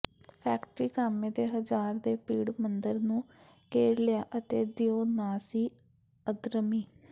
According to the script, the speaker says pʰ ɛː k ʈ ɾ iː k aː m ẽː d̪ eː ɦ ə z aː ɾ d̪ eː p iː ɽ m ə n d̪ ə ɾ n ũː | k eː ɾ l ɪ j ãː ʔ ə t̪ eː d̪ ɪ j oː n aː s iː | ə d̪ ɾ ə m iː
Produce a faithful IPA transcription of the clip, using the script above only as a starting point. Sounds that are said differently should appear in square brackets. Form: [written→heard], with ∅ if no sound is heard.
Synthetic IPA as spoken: pʰ ɛː k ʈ ɾ iː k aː m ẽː d̪ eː ɦ ə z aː ɾ d̪ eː p iː ɽ m ə n d̪ ə ɾ n ũː | k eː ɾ l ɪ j [ãː→aː] ʔ ə t̪ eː d̪ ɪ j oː n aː s iː | ə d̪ ɾ ə m iː